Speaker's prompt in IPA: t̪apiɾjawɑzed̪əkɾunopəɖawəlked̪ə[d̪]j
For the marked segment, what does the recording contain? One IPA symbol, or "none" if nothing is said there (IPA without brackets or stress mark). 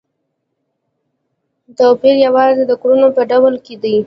none